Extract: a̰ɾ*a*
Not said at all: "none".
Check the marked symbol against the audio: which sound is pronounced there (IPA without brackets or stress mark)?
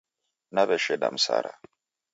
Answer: a